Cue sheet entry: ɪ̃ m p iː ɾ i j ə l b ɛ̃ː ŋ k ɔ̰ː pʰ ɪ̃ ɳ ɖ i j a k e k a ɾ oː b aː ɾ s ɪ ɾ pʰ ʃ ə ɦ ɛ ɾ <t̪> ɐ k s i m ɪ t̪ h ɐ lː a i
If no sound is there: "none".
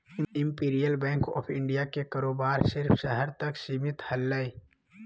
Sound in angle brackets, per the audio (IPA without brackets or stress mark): t̪